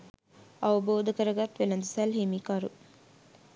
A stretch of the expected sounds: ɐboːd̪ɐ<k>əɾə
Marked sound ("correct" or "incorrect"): correct